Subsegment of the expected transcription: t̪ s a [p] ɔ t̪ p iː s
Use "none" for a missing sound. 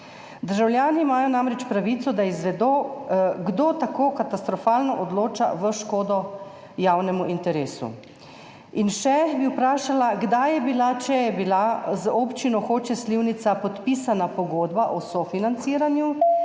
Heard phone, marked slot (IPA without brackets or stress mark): p